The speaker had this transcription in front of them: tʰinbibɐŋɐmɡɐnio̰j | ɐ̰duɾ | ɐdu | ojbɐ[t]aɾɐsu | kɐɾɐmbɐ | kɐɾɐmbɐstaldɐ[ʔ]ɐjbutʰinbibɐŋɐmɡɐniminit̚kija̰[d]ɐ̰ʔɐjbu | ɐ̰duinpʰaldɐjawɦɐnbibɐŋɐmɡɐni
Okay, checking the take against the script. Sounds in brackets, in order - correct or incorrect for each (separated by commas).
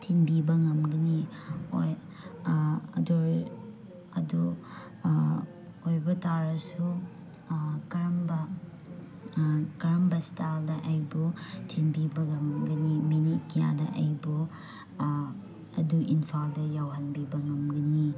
correct, correct, correct